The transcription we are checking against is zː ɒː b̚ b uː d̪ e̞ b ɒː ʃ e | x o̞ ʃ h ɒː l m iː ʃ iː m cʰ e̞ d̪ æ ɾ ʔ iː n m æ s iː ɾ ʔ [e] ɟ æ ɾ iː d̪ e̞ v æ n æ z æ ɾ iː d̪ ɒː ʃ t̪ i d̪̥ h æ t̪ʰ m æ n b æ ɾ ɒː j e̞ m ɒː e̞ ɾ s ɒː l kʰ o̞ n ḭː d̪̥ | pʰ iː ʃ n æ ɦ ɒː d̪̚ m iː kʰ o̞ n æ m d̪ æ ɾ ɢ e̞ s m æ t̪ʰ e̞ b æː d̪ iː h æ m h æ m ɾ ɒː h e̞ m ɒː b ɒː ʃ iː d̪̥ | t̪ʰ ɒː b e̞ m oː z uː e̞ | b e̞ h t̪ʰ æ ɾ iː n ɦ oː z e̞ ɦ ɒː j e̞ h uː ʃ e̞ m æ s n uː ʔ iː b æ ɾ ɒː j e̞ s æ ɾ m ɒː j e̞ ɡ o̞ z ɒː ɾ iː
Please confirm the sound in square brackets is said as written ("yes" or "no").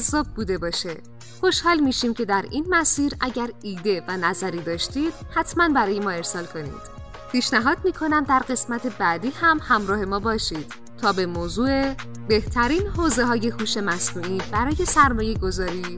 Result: no